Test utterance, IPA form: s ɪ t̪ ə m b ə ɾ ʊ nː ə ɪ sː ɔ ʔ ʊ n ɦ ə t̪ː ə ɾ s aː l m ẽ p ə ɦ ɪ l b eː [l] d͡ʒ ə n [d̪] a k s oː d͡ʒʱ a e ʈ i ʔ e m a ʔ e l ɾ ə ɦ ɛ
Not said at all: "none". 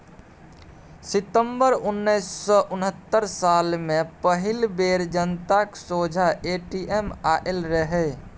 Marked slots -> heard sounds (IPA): ɾ, t̪

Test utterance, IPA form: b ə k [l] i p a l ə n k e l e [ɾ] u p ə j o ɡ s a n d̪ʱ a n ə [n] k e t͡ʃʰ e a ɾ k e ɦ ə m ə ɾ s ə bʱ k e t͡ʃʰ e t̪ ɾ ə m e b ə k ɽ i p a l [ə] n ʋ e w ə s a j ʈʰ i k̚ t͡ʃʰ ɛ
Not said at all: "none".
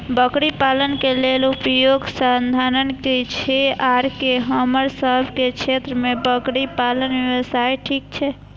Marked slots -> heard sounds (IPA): ɽ, l, n, ə

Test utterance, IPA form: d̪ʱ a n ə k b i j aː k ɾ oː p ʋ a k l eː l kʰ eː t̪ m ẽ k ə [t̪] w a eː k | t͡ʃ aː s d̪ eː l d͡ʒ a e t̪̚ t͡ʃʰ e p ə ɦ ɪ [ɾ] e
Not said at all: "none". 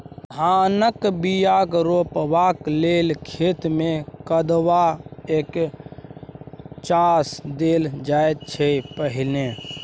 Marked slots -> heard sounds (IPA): d̪, l

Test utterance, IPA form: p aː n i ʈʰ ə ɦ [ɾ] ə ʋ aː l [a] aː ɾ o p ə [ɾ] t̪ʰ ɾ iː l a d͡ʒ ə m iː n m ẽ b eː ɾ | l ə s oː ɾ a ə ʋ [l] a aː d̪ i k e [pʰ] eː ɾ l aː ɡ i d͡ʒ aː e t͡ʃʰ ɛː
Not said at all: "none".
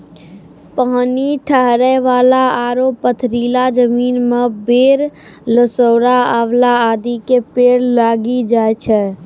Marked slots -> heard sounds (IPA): ɾ, a, none, l, p

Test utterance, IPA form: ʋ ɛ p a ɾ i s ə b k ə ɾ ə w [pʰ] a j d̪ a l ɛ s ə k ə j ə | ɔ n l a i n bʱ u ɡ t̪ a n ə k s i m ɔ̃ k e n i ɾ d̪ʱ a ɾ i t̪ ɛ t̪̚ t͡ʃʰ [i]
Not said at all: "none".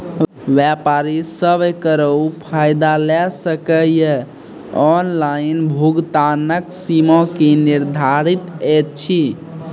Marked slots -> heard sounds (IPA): pʰ, i

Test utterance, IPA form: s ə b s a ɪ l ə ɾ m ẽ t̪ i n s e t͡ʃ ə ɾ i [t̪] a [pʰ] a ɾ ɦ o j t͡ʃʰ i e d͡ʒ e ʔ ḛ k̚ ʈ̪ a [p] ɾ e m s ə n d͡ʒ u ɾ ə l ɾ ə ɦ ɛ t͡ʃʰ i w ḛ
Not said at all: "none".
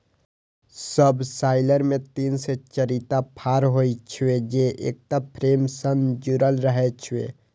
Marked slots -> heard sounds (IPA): t̪, pʰ, pʰ

